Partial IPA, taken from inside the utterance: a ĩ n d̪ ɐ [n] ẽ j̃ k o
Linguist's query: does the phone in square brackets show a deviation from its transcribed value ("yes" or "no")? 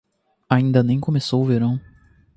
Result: no